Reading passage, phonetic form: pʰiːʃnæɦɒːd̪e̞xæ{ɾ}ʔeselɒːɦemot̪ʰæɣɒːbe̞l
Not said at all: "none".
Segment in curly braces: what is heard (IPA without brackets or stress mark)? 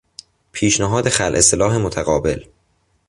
l